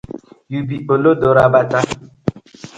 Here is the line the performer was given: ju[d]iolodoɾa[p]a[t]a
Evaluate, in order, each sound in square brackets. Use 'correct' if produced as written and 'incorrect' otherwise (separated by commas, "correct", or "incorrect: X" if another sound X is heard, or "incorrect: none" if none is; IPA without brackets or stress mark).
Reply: incorrect: b, incorrect: b, correct